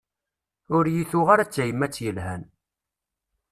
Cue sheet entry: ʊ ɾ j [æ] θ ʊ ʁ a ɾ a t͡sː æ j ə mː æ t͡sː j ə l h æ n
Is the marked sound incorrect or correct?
incorrect